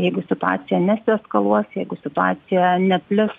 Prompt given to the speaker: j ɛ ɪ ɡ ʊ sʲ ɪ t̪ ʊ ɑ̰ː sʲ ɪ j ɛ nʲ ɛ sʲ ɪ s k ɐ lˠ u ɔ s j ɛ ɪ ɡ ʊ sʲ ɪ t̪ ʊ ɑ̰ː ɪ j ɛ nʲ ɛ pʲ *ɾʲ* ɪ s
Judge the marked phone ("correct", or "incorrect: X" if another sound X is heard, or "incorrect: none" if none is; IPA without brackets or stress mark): incorrect: lʲ